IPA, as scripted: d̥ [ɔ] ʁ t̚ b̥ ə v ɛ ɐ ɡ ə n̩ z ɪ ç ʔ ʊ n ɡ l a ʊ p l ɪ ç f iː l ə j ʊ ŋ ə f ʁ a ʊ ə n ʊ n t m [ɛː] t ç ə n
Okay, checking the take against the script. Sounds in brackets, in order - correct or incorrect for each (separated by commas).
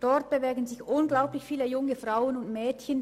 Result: correct, correct